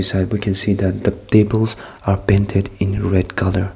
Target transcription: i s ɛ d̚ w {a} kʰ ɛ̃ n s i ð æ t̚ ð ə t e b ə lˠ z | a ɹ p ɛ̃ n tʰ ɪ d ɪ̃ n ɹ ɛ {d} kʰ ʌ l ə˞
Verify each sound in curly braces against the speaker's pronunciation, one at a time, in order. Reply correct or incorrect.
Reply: incorrect: i, correct

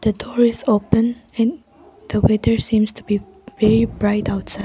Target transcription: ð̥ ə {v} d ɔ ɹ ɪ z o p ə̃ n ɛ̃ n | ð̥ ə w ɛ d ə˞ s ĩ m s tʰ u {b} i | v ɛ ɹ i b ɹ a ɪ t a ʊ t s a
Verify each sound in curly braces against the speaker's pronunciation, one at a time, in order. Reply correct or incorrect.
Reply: incorrect: none, correct

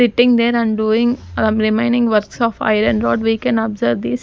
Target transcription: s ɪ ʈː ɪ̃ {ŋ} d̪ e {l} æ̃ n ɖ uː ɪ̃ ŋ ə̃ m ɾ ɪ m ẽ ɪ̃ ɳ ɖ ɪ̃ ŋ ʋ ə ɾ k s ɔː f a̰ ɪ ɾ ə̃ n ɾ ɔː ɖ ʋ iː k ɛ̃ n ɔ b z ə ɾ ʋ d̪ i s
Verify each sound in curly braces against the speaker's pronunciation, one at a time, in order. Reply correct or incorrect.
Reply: correct, incorrect: ɾ

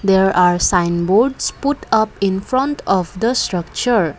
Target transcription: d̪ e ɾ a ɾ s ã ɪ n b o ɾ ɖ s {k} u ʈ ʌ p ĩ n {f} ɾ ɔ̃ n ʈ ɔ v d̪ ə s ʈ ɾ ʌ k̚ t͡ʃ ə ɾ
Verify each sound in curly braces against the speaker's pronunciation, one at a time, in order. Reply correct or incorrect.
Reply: incorrect: p, correct

